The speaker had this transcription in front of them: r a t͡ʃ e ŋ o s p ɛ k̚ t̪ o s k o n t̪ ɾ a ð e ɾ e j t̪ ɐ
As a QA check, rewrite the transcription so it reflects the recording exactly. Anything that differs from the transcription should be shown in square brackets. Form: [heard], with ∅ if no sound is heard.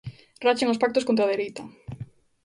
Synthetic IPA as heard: r a t͡ʃ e ŋ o s p [a] k̚ t̪ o s k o n t̪ ɾ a ð e ɾ e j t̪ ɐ